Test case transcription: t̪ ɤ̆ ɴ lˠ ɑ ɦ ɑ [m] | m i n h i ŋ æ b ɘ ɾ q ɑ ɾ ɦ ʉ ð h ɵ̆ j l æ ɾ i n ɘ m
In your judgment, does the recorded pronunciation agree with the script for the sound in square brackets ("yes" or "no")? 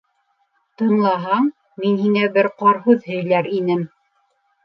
no